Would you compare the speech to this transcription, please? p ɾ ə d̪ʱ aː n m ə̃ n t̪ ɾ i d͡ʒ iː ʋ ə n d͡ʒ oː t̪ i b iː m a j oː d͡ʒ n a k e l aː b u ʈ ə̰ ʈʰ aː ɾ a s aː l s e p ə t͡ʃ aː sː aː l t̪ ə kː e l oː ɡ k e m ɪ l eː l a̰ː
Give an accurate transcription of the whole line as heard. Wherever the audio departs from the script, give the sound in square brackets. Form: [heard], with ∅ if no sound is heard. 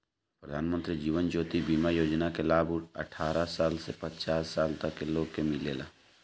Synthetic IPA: p ɾ ə d̪ʱ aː n m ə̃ n t̪ ɾ i d͡ʒ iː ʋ ə n d͡ʒ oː t̪ i b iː m a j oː d͡ʒ n a k e l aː b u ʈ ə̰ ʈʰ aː ɾ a s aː l s e p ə t͡ʃ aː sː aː l t̪ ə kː e l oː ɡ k e m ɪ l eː l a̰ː